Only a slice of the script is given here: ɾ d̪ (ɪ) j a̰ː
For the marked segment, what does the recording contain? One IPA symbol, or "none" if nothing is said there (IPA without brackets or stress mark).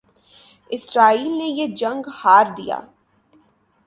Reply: i